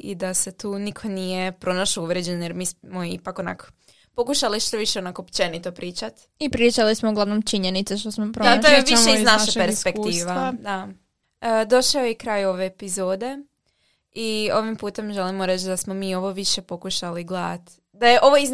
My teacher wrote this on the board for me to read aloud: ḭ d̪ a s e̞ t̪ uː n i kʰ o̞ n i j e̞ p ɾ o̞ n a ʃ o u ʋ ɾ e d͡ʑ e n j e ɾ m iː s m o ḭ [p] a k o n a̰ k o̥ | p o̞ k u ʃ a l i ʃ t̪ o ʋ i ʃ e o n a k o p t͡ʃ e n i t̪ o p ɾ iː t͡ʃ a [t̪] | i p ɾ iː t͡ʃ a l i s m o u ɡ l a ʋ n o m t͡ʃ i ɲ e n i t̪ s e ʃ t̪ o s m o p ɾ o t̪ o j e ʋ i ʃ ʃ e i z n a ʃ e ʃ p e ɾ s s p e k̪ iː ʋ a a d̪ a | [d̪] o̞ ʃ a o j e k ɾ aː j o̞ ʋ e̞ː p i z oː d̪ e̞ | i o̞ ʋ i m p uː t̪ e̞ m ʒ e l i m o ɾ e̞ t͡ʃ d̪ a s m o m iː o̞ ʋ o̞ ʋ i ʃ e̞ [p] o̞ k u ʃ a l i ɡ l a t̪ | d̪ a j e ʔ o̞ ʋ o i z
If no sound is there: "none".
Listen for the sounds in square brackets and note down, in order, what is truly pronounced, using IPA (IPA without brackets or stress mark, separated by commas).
p, t̪, d̪, p